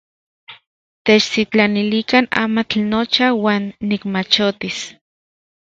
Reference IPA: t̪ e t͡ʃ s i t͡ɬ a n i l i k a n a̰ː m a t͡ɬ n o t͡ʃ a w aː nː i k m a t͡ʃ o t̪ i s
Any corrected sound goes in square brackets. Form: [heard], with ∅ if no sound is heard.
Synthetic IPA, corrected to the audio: t̪ e t͡ʃ s i t͡ɬ a n i l i k a n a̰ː m a t͡ɬ n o t͡ʃ a w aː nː i k m a t͡ʃ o t̪ i s